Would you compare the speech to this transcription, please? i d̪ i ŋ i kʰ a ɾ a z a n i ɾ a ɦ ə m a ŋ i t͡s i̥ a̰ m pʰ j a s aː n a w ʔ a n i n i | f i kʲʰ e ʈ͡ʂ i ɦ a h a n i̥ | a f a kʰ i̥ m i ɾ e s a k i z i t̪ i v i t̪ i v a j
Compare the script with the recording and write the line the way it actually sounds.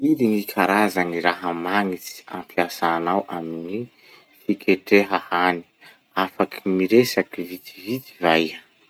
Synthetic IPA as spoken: i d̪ i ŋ i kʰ a ɾ a z a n i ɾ a ɦ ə m a ŋ i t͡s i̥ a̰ m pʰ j a s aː n a w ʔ a m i n i | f i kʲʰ e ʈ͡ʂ e ɦ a h a n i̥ | a f a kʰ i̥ m i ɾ e s a k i v i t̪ i v i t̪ i v a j